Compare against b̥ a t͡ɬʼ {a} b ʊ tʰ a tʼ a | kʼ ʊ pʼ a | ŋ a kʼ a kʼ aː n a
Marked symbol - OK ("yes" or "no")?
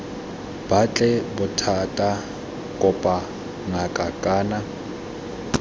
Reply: no